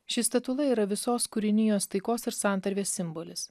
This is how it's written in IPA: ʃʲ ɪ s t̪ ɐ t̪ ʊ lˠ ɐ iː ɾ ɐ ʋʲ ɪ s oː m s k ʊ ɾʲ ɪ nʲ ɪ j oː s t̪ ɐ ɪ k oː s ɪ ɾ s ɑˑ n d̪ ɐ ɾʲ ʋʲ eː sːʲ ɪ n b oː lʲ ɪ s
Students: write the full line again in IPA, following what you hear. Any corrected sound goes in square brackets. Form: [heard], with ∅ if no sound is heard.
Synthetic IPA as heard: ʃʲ ɪ s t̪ ɐ t̪ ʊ lˠ ɐ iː ɾ ɐ ʋʲ ɪ s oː [∅] s k ʊ ɾʲ ɪ nʲ ɪ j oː s t̪ ɐ ɪ k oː s ɪ ɾ s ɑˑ n [t̪] ɐ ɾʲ ʋʲ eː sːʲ ɪ [m] b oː lʲ ɪ s